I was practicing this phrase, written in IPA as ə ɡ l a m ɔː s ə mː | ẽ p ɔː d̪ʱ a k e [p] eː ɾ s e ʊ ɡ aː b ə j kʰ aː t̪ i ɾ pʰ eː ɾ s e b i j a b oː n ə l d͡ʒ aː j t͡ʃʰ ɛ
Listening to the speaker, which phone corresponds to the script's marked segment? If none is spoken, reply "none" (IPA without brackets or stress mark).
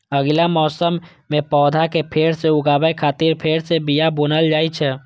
pʰ